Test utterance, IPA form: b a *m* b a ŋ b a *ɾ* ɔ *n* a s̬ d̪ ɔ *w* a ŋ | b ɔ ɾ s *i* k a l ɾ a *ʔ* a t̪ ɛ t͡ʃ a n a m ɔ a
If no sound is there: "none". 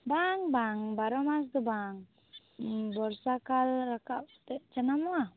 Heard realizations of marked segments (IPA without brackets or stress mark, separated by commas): ŋ, ɾ, m, b, a, k